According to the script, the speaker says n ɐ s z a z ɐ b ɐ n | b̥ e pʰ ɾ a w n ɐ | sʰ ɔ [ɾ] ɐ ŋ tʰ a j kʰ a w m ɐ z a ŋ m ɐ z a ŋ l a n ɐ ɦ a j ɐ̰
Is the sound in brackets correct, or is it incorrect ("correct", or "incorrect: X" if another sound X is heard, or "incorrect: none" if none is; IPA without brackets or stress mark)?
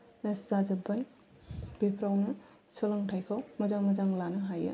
incorrect: l